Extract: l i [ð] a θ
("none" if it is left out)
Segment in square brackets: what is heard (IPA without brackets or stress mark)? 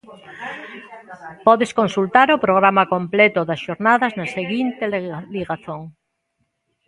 ɣ